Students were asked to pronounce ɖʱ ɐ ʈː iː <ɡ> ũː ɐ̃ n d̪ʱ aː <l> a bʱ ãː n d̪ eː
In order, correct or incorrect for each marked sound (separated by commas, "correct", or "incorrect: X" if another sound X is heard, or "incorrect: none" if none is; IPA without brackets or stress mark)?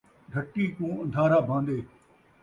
incorrect: k, incorrect: ɾ